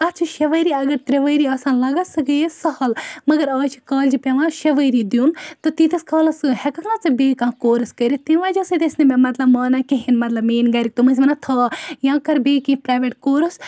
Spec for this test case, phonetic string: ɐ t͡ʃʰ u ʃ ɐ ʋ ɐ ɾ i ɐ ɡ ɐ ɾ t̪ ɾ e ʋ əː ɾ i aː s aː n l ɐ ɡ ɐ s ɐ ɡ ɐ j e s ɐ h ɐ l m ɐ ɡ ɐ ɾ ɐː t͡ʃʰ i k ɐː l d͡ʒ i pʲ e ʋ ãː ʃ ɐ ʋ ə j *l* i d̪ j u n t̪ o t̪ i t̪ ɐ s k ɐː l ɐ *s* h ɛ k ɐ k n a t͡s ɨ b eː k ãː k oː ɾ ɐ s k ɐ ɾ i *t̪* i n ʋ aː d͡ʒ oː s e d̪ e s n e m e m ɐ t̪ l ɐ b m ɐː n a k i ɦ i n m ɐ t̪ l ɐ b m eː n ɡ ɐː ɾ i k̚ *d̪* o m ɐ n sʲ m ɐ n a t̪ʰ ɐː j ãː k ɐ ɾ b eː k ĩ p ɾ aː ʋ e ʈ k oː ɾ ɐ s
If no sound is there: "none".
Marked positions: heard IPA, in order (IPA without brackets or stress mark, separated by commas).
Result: ɾ, s, t̪, t̪